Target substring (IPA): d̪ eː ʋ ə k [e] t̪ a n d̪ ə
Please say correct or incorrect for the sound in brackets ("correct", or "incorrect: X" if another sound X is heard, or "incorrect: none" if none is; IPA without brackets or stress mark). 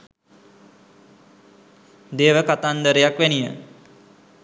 incorrect: a